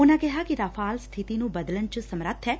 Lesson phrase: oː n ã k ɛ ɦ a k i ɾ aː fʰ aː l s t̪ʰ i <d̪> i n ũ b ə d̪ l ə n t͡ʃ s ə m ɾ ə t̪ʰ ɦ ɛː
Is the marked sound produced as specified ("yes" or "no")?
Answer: no